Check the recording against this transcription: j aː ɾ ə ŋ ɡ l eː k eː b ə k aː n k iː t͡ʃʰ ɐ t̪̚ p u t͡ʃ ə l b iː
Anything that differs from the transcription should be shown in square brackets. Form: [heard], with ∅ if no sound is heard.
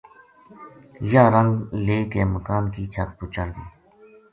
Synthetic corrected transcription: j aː ɾ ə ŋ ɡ l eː k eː [m] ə k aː n k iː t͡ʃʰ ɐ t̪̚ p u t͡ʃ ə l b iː